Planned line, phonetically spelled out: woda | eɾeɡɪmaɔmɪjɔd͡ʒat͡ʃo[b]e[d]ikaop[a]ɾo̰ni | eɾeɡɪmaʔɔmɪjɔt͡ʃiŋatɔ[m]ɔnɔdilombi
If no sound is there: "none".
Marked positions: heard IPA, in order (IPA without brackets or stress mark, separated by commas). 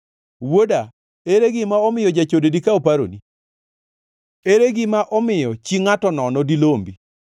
d, d, a, n